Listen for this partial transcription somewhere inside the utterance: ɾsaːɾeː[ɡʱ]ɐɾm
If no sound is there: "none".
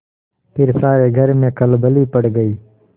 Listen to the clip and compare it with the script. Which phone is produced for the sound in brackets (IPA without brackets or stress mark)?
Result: ɡʱ